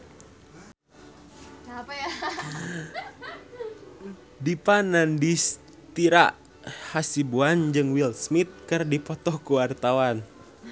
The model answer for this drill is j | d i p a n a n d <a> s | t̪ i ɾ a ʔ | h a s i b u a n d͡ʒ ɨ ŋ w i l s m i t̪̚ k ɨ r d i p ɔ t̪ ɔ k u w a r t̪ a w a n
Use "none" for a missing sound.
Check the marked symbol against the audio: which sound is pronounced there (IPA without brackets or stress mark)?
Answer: i